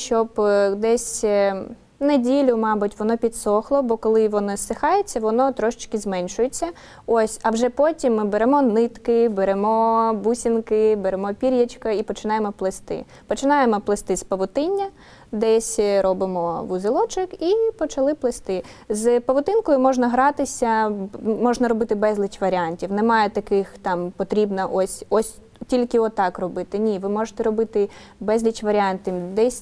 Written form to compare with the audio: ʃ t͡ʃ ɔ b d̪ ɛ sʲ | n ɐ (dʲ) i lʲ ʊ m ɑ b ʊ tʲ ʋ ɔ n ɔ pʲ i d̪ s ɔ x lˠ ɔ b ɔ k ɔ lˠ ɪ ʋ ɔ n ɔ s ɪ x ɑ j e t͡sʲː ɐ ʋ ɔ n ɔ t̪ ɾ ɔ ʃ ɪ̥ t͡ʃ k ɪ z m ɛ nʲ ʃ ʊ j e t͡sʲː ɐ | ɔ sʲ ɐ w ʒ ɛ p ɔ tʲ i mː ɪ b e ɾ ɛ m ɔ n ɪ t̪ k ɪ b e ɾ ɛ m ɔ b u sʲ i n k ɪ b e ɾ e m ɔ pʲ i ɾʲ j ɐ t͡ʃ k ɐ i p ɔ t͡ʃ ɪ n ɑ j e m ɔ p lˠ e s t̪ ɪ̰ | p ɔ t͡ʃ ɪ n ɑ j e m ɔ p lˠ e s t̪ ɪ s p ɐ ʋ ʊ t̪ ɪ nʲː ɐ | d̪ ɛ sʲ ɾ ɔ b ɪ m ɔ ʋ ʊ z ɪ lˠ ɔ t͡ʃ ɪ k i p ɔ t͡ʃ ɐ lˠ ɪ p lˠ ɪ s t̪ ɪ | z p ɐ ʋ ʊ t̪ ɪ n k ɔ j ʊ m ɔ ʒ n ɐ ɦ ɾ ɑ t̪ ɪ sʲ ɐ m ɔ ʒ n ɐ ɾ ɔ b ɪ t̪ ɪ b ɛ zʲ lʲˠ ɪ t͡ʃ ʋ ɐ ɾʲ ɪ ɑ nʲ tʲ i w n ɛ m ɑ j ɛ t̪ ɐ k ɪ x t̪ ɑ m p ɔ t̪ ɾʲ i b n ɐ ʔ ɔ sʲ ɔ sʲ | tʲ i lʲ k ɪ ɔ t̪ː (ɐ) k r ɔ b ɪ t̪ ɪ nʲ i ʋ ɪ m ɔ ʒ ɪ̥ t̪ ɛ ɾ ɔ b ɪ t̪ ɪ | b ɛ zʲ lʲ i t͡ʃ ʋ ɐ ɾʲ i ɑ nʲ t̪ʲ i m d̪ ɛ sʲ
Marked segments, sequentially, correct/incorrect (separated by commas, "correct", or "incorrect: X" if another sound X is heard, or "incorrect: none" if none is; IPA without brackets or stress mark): correct, incorrect: ɑ